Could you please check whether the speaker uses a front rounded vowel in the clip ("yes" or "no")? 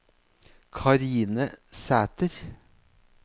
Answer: no